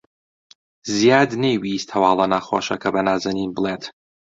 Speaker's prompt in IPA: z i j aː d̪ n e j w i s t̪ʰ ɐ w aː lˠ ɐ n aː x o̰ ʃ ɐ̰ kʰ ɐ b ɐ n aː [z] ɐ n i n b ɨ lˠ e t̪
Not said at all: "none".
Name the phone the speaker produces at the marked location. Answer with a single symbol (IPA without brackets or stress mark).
z